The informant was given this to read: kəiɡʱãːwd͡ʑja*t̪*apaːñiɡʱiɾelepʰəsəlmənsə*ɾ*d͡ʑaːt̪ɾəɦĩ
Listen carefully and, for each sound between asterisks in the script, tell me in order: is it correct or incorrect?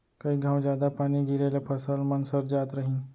incorrect, correct

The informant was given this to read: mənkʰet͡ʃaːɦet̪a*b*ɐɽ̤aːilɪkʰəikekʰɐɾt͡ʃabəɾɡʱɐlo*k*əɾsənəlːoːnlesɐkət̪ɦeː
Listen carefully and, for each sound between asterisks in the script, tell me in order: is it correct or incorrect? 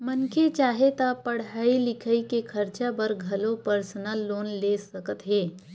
incorrect, incorrect

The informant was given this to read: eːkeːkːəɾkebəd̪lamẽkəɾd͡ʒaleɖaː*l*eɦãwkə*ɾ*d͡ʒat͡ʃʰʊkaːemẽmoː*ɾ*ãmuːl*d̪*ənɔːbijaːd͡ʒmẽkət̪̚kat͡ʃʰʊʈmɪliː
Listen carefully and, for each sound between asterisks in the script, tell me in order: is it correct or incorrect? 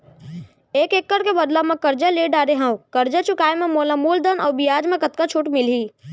incorrect, correct, incorrect, correct

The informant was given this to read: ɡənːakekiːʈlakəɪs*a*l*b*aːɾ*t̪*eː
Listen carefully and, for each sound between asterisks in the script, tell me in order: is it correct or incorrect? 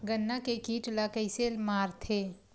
incorrect, incorrect, incorrect

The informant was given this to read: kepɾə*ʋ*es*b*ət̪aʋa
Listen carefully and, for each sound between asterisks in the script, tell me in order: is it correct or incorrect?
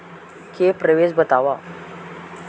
correct, correct

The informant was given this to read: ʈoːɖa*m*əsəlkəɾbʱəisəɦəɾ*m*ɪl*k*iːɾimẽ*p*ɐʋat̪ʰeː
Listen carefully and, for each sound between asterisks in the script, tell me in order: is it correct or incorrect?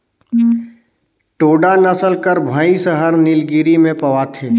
incorrect, incorrect, incorrect, correct

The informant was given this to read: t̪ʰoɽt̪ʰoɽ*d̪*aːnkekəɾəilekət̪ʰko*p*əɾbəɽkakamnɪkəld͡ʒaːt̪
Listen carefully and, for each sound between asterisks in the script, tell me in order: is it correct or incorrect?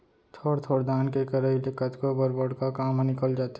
correct, incorrect

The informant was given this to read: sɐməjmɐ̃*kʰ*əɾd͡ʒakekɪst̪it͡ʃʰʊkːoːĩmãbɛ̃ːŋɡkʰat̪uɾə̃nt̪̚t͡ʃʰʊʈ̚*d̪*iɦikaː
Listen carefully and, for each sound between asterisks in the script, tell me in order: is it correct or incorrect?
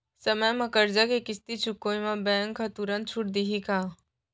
incorrect, correct

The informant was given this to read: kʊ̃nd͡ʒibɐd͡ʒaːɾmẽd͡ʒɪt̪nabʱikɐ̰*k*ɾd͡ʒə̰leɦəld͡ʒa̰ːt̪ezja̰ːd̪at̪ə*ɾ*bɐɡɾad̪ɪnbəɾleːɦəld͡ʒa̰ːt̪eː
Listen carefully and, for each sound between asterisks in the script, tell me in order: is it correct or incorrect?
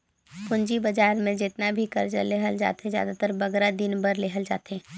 incorrect, correct

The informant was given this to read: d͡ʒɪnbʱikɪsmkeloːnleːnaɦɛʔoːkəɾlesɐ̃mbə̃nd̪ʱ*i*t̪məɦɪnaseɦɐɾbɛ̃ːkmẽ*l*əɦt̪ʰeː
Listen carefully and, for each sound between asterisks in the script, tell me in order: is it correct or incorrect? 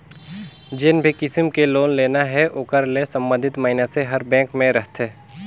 incorrect, incorrect

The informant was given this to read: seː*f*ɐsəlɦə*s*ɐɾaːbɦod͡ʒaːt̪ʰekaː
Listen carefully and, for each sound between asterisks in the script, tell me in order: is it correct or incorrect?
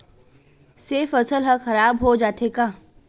correct, incorrect

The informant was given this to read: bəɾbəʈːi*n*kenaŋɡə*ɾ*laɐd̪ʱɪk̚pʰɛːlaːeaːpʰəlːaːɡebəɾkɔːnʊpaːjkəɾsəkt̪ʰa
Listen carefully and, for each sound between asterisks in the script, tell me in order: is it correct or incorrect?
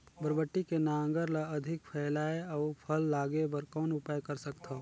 incorrect, correct

